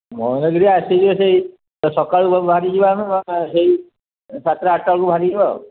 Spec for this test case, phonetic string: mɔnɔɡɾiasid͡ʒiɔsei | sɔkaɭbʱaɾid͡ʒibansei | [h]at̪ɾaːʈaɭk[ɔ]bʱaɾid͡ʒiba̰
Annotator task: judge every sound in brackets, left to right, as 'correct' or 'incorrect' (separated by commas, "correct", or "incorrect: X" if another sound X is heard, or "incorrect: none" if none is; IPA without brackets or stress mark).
incorrect: s, incorrect: u